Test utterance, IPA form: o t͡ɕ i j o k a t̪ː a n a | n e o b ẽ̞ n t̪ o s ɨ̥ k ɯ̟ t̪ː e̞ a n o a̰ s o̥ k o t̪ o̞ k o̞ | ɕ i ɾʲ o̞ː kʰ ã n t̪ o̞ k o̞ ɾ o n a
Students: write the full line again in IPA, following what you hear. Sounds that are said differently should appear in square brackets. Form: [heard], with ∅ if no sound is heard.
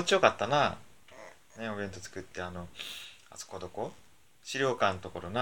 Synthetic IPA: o t͡ɕ i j o k a t̪ː a n a | n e o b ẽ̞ n t̪ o [t͡s] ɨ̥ k ɯ̟ t̪ː e̞ a n o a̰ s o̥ k o [d̪] o̞ k o̞ | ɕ i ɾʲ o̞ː [k] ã n t̪ o̞ k o̞ ɾ o n a